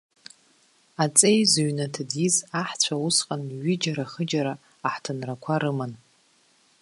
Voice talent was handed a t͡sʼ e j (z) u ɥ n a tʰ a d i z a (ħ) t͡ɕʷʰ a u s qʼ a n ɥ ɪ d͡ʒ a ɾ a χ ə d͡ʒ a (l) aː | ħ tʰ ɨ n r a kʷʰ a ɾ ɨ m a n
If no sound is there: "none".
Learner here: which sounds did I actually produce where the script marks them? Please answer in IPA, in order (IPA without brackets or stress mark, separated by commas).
z, ħ, ɾ